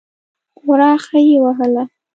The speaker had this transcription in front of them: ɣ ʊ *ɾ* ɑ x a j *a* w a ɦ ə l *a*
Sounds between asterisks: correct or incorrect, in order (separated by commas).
correct, incorrect, correct